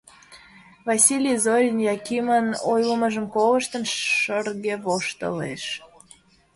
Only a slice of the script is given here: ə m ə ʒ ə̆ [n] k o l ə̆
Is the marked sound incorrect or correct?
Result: incorrect